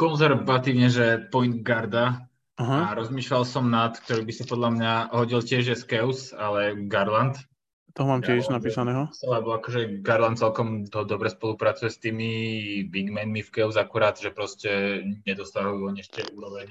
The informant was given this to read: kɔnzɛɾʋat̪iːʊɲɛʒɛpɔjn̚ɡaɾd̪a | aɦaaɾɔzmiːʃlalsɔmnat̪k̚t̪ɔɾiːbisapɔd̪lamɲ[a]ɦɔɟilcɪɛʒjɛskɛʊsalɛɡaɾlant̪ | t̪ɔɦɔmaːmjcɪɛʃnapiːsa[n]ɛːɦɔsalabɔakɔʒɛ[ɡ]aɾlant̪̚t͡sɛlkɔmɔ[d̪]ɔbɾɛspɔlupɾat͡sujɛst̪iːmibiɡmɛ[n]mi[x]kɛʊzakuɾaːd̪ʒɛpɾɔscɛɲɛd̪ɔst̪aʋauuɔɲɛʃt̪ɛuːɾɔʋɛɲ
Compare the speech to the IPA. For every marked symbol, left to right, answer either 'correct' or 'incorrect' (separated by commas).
correct, correct, correct, correct, correct, incorrect